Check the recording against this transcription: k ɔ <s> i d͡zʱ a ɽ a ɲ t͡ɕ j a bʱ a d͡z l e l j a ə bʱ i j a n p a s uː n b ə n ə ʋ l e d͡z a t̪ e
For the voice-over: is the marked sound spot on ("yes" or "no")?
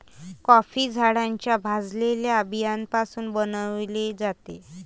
no